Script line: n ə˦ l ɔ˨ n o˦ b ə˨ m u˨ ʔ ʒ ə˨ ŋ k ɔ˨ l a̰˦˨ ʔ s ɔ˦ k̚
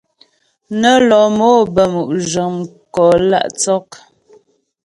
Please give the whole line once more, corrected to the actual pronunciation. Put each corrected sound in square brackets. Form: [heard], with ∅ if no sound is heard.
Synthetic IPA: n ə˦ l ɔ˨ [m] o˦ b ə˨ m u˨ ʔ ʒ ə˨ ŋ k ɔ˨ l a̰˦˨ ʔ [t͡s] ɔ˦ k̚